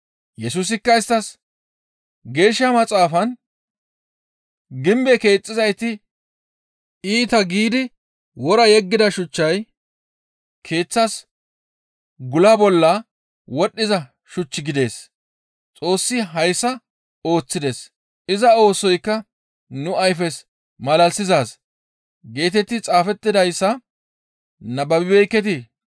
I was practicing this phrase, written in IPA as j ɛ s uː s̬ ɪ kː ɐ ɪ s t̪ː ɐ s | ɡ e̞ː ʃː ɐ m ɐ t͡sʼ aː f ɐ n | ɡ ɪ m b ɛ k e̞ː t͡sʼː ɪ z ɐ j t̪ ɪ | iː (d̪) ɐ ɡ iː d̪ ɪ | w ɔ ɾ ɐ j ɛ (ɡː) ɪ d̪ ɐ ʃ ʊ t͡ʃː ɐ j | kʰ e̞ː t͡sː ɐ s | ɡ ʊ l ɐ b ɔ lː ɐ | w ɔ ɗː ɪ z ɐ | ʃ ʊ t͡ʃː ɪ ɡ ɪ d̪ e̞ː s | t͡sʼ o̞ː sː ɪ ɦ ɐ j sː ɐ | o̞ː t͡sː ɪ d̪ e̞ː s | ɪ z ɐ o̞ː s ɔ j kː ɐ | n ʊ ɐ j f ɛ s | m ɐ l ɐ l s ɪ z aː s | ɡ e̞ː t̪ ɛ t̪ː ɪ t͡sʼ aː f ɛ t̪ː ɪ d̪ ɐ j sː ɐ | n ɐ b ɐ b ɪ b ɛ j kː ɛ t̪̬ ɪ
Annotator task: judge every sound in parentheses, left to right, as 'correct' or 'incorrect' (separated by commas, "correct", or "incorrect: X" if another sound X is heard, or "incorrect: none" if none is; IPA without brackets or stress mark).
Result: incorrect: t̪, correct